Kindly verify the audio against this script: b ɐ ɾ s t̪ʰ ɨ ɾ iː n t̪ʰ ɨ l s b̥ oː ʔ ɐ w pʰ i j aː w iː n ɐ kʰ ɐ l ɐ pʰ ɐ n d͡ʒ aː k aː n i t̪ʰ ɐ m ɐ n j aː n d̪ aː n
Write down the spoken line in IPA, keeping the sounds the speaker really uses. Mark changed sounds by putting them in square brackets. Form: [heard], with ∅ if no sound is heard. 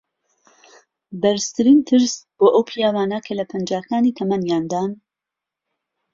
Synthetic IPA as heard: b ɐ ɾ s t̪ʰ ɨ ɾ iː n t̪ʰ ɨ [ɾ] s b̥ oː ʔ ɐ w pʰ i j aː w [aː] n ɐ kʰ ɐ l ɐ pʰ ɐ n d͡ʒ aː k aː n i t̪ʰ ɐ m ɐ n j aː n d̪ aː n